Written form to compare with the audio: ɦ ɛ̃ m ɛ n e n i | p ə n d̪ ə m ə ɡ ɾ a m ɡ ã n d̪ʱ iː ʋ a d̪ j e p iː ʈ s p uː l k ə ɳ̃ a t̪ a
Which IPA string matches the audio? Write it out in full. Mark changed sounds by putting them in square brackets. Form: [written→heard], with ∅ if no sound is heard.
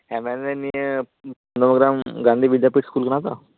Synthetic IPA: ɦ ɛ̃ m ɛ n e n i | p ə n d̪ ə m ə ɡ ɾ a m ɡ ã n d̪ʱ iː ʋ [a→i] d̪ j [e→a] p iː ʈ s [p→k] uː l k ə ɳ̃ a t̪ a